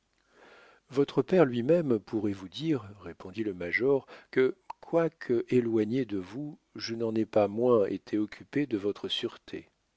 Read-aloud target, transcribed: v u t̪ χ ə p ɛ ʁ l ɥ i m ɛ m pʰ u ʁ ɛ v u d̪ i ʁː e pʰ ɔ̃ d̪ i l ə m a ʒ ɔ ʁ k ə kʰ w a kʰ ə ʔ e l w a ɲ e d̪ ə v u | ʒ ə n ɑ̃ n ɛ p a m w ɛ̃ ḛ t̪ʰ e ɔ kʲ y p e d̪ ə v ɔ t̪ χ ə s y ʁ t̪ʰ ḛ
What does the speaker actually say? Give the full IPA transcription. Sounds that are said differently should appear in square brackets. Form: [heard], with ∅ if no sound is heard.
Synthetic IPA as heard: v [ɔ] t̪ χ ə p ɛ ʁ l ɥ i m ɛ m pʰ u ʁ ɛ v u d̪ i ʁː e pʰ ɔ̃ d̪ i l ə m a ʒ ɔ ʁ k ə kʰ w a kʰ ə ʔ e l w a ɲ e d̪ ə v u | ʒ ə n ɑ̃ n ɛ p a m w ɛ̃ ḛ t̪ʰ e ɔ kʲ y p e d̪ ə v ɔ t̪ χ ə s y ʁ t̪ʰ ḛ